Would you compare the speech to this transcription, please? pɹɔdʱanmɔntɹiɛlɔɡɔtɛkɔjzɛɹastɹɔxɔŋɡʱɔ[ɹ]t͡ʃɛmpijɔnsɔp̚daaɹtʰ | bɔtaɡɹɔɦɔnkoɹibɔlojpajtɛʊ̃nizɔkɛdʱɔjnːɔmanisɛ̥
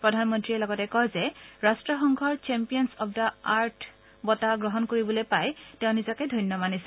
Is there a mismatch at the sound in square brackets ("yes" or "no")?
no